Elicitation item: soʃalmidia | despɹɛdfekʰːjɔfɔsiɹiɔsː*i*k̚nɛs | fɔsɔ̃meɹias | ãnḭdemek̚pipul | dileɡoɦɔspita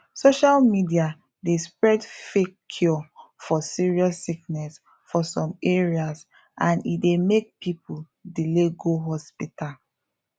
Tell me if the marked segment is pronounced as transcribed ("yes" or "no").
yes